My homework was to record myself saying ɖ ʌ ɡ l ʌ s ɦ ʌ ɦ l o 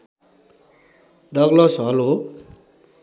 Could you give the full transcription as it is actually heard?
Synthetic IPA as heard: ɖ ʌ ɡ l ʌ s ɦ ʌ l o